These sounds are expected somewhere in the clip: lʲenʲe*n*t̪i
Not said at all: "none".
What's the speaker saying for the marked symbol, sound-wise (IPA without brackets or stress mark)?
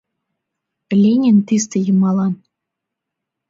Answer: n